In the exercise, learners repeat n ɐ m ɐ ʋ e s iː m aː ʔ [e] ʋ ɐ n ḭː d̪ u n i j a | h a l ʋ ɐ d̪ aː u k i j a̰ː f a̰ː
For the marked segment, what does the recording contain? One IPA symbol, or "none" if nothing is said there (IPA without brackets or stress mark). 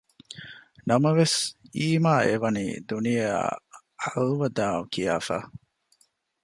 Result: e